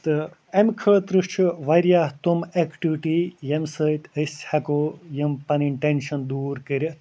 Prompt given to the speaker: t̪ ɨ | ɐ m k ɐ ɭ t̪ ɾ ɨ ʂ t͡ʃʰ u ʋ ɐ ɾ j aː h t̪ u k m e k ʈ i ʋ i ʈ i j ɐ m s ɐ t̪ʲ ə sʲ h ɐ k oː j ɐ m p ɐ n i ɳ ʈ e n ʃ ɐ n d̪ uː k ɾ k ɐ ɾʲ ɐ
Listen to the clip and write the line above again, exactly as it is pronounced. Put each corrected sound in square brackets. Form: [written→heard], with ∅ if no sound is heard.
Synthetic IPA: t̪ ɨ | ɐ m [k→kʰ] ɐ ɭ t̪ ɾ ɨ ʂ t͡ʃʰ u ʋ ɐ ɾ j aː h t̪ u [k→∅] m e k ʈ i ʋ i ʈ i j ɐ m s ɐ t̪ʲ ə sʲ h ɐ k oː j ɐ m p ɐ n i ɳ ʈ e n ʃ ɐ n d̪ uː [k→∅] ɾ k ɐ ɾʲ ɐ